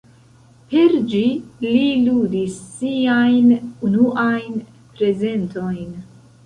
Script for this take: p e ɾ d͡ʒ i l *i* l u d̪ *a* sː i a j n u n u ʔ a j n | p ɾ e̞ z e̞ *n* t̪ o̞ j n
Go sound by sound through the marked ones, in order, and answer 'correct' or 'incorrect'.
correct, incorrect: i, correct

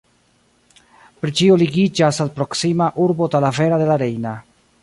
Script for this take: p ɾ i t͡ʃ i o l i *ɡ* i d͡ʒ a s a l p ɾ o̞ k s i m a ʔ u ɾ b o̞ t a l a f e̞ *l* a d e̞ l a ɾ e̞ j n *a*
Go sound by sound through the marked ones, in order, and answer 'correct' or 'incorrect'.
correct, incorrect: ɾ, correct

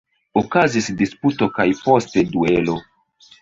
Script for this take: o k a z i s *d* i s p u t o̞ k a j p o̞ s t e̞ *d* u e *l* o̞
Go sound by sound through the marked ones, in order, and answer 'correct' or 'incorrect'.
correct, correct, correct

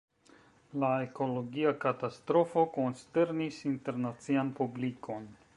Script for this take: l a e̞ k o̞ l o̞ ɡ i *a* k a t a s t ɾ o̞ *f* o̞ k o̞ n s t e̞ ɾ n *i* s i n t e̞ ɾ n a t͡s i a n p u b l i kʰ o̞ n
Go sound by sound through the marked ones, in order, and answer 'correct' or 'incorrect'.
correct, correct, correct

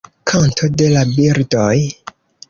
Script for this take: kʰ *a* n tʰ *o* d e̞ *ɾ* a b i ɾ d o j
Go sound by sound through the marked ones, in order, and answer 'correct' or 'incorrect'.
correct, correct, incorrect: l

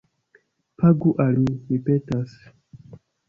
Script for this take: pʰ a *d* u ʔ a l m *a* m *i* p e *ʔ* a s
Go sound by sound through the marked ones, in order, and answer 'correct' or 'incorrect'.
incorrect: ɡ, incorrect: i, correct, incorrect: t

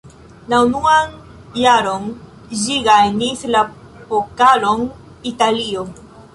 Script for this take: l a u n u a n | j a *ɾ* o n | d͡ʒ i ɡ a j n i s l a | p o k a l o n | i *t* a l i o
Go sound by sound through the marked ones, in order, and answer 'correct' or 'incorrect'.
correct, correct

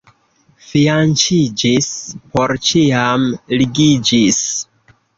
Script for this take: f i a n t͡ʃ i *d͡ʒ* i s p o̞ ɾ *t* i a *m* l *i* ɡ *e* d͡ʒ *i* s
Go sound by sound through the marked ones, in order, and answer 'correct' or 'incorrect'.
correct, incorrect: t͡ʃ, correct, correct, incorrect: i, correct

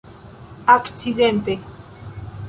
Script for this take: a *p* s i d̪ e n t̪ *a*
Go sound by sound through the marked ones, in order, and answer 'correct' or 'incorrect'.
incorrect: k, incorrect: e

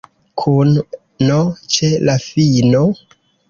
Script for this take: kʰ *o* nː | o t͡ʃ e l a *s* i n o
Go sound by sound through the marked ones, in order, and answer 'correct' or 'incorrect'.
incorrect: u, incorrect: f

